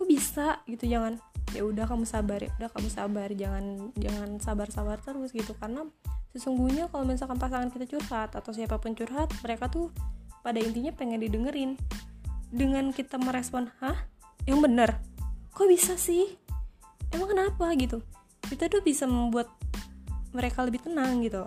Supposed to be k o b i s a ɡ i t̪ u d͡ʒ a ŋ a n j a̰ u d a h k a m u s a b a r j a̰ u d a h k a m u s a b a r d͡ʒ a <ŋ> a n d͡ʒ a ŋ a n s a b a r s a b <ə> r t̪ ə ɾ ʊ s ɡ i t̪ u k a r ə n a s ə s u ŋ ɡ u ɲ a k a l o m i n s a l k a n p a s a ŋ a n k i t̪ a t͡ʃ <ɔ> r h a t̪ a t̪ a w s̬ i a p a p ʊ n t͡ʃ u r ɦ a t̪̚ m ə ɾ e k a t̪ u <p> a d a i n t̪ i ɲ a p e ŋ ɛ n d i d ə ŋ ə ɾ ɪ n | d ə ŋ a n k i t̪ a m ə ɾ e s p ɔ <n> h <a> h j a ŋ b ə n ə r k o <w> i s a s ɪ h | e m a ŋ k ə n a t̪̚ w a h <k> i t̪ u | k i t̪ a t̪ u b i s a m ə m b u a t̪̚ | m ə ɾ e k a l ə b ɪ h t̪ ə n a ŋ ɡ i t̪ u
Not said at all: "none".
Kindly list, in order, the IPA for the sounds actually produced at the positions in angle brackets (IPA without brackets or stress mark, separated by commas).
ŋ, a, u, p, n, a, b, ɡ